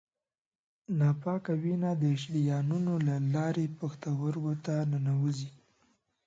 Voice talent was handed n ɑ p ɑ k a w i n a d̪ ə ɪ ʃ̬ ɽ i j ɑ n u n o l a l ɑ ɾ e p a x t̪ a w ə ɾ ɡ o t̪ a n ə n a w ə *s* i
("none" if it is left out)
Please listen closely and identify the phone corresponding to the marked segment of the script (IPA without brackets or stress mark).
z